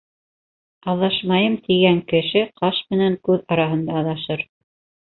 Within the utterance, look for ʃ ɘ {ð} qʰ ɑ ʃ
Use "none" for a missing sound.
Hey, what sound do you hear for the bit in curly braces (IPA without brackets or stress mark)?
none